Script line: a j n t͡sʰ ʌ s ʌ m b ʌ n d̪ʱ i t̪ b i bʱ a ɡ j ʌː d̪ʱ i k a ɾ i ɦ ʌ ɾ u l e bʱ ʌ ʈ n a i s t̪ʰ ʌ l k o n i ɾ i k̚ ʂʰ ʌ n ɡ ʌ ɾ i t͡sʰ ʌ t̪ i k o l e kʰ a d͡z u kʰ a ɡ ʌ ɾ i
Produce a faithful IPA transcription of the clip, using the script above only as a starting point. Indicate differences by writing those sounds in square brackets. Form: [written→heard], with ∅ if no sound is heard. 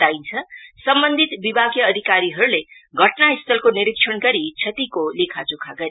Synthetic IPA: a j n t͡sʰ ʌ s ʌ m b ʌ n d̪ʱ i t̪ b i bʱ a ɡ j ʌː d̪ʱ i k a ɾ i ɦ ʌ ɾ u l e [bʱ→ɡʱ] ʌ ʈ n a i s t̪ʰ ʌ l k o n i ɾ i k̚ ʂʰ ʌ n ɡ ʌ ɾ i t͡sʰ ʌ t̪ i k o l e kʰ a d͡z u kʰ a ɡ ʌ ɾ i